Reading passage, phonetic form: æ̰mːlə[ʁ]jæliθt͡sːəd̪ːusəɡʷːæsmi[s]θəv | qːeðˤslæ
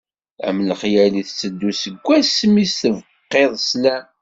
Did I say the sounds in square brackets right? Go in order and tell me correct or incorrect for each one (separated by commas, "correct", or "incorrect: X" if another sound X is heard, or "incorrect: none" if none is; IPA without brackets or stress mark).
incorrect: χ, correct